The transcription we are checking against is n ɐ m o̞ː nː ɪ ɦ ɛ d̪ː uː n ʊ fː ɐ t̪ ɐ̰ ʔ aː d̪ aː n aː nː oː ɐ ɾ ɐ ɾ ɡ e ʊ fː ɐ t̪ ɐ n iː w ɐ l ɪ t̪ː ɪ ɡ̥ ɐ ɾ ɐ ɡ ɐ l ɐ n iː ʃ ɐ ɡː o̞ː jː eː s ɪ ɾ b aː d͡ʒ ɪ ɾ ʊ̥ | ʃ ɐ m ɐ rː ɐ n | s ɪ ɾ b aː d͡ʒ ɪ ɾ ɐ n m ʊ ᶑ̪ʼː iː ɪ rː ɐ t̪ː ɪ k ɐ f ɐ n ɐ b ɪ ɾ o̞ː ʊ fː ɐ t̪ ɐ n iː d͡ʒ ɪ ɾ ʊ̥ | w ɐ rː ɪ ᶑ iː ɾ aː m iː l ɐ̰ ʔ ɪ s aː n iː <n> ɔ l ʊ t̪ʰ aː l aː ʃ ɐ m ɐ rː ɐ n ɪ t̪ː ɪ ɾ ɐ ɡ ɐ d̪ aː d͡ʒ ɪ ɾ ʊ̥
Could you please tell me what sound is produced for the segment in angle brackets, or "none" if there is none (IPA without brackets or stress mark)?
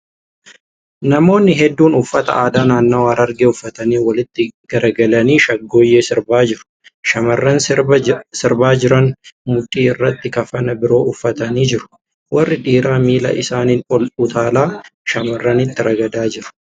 n